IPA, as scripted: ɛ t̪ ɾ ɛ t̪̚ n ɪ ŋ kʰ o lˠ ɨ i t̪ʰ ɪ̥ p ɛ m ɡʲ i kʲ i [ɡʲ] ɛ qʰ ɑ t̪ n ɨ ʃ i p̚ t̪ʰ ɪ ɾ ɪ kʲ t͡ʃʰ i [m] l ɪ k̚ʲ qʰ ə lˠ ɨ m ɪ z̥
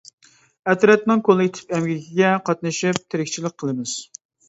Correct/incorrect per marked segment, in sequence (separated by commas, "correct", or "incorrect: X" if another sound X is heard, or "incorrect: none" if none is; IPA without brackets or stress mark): correct, incorrect: none